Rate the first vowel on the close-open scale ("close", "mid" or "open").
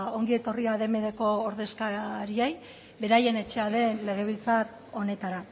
mid